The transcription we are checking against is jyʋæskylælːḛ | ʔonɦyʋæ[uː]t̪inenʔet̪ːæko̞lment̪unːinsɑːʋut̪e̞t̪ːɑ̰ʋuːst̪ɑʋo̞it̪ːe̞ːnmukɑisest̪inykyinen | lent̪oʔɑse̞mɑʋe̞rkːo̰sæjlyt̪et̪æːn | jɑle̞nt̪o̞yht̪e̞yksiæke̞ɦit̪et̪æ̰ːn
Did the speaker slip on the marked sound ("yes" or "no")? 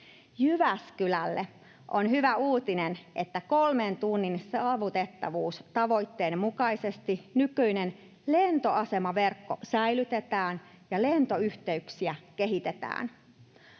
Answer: no